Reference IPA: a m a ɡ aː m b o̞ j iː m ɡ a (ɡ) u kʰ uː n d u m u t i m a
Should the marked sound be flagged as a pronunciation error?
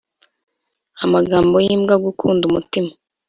no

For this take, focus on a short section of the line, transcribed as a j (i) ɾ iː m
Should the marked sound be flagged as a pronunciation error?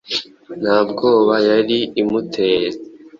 yes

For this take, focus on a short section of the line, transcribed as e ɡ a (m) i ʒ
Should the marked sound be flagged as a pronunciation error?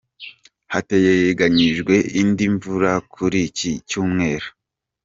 yes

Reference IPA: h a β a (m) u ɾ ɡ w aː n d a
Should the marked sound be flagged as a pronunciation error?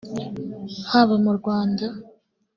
no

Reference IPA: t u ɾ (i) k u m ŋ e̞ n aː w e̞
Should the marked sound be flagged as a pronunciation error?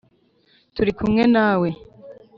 no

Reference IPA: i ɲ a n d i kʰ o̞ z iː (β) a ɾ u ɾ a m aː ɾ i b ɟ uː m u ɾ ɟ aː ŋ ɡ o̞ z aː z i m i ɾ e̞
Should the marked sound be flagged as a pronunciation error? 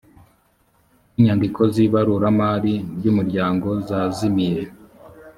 no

